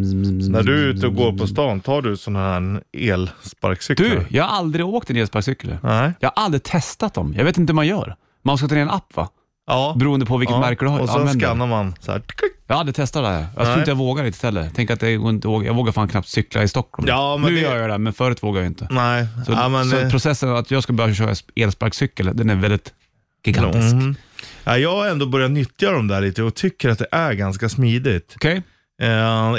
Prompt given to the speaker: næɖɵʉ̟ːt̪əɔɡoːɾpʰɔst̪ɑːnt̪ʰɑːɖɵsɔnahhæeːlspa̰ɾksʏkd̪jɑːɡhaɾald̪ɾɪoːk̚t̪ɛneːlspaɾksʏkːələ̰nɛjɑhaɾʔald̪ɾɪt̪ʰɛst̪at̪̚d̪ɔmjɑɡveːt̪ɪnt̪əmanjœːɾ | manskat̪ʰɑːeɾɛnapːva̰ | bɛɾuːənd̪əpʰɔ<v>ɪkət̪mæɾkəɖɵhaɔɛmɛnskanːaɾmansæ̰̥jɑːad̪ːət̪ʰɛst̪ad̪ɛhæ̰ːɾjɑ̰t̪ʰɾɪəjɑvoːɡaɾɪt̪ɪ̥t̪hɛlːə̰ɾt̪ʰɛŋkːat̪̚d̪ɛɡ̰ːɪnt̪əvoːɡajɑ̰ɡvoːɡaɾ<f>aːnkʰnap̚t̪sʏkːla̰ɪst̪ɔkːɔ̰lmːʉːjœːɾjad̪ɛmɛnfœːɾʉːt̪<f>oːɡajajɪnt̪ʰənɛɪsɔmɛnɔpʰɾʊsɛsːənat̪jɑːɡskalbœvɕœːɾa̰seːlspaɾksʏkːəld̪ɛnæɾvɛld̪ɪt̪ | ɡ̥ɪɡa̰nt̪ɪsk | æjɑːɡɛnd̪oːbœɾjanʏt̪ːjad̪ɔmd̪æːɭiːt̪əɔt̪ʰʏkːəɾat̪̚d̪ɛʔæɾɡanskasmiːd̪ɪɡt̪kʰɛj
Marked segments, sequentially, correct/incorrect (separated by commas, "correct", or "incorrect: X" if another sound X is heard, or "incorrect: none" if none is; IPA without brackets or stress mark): correct, correct, incorrect: v